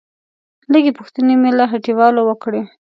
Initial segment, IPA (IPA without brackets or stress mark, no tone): l